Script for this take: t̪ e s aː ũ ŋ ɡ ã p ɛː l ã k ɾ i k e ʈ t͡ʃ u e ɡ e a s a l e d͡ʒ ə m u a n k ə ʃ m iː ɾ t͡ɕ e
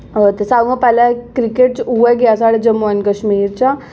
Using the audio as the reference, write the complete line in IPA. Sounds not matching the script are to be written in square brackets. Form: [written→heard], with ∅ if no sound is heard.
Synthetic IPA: t̪ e s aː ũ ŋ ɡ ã p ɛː l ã k ɾ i k e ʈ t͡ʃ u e ɡ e a s a [l→ɽ] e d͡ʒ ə m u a n k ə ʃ m iː ɾ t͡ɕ [e→a]